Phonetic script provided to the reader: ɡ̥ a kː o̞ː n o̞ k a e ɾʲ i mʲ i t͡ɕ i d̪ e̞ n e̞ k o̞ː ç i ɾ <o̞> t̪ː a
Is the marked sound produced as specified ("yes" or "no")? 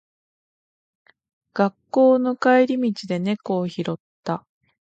yes